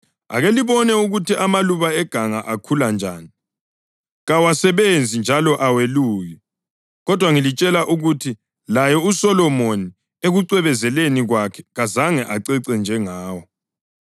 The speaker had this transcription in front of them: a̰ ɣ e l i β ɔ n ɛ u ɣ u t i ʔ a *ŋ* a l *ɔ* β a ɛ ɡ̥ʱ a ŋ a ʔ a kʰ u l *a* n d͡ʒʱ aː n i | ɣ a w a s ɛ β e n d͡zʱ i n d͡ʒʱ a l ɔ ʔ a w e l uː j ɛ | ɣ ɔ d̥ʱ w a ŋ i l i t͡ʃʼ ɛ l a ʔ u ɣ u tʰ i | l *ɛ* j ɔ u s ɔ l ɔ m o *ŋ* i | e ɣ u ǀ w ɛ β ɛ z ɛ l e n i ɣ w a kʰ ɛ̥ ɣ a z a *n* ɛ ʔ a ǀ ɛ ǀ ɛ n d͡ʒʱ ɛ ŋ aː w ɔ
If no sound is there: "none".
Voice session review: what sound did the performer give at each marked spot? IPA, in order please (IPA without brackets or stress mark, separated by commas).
m, u, a, a, n, ŋ